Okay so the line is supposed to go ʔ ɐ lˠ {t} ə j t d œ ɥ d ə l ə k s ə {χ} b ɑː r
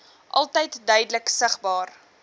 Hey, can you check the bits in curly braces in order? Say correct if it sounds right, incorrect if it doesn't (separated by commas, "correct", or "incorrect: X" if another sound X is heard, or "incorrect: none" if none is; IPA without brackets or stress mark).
correct, correct